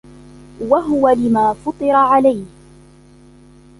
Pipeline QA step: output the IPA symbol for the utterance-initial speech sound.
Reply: w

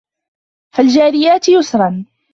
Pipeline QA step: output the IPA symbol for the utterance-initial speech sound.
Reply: f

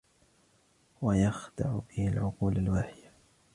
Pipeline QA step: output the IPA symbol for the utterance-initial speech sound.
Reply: w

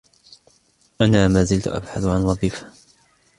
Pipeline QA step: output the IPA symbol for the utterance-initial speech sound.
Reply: ʔ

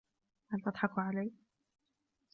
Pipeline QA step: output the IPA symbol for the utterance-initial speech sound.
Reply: h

